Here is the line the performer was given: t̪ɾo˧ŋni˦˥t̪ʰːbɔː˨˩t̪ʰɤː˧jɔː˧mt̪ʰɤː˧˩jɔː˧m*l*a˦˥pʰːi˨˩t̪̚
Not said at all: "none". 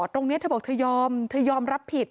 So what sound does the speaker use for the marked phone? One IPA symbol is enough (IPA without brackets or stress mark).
ɾ